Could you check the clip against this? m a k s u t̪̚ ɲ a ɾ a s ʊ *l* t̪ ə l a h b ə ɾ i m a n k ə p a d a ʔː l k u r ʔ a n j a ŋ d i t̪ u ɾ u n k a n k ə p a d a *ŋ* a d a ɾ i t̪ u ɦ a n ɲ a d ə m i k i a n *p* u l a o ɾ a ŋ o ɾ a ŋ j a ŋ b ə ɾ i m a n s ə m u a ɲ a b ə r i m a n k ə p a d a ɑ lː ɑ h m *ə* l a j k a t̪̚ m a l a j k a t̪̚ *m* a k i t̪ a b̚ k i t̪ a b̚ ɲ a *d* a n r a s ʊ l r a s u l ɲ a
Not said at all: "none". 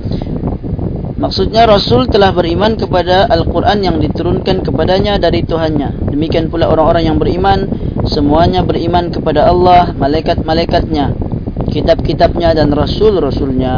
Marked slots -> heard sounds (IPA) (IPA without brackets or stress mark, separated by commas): l, ɲ, p, a, ɲ, d